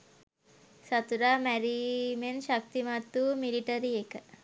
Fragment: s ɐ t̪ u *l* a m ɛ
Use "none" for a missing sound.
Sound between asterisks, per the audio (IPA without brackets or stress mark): ɾ